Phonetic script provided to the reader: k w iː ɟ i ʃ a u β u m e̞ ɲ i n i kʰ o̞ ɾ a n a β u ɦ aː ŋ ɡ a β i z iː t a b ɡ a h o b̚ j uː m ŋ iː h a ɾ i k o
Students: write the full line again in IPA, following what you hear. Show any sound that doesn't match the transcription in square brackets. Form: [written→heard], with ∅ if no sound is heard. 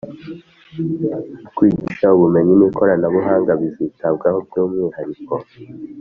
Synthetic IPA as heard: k w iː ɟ i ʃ a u β u m e̞ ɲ i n i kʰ o̞ ɾ a n a β u ɦ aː ŋ ɡ a β i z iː t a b ɡ a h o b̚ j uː m ŋ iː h a ɾ i k o